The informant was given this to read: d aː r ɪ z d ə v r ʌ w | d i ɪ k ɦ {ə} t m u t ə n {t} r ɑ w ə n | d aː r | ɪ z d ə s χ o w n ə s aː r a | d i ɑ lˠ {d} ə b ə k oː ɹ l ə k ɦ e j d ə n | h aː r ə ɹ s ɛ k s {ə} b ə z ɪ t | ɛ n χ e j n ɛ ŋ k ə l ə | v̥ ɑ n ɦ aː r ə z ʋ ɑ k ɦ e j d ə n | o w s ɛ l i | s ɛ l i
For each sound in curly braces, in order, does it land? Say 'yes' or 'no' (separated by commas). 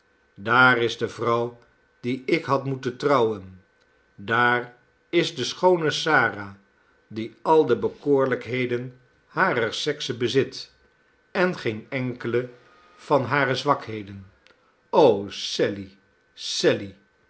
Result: no, yes, yes, yes